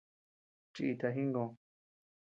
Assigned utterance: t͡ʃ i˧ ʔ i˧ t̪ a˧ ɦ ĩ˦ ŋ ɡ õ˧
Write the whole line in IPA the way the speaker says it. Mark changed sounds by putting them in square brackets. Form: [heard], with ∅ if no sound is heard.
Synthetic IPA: t͡ʃ i˧ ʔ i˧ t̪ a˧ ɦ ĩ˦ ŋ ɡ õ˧

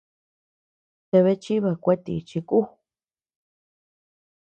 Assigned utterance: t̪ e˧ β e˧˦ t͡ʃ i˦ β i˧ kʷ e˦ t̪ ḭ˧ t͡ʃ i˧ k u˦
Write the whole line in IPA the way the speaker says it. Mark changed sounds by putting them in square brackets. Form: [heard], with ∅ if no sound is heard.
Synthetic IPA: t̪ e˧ β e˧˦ t͡ʃ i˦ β [a˧] kʷ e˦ t̪ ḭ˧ t͡ʃ i˧ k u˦

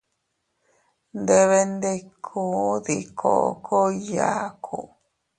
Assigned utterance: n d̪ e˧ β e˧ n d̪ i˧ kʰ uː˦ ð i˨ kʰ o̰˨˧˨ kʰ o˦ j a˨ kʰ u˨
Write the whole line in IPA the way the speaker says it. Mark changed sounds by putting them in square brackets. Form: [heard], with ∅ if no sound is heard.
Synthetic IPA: n d̪ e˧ β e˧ n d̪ [e˧] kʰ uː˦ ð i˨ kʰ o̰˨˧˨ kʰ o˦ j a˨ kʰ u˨

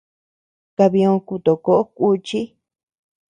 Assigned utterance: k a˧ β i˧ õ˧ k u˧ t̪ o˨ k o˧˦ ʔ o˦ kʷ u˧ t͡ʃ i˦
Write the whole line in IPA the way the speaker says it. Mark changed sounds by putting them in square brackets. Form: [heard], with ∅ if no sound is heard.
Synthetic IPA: k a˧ β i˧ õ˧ k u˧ t̪ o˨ k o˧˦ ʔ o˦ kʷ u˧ t͡ʃ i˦

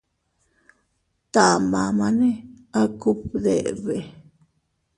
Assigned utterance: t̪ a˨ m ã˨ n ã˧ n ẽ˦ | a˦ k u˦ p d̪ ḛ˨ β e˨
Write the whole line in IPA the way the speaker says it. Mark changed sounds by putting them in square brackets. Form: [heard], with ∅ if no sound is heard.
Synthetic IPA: t̪ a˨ m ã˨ [m] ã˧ n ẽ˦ | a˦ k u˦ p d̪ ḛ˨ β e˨

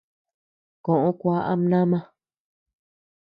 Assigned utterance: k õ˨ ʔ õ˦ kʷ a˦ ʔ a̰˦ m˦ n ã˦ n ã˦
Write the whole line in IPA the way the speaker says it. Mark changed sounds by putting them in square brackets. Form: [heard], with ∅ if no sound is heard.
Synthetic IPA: k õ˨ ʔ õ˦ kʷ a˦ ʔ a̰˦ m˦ n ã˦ [m] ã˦

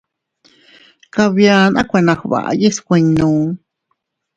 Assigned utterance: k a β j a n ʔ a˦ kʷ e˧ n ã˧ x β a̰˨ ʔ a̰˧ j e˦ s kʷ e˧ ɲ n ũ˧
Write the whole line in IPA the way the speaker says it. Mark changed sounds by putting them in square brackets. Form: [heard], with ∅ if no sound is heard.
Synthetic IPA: k a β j a n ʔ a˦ kʷ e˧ n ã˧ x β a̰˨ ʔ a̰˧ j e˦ s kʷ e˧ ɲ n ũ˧

